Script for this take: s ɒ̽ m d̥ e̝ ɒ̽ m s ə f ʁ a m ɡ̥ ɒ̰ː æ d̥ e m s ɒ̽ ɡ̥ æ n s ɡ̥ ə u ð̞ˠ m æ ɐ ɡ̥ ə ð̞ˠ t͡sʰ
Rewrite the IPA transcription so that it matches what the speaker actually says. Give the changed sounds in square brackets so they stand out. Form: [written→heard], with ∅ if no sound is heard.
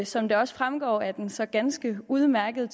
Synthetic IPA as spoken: s ɒ̽ m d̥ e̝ ɒ̽ [m→∅] s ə f ʁ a m ɡ̥ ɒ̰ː æ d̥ e [m→n] s ɒ̽ ɡ̥ æ n s ɡ̥ ə u ð̞ˠ m æ ɐ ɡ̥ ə ð̞ˠ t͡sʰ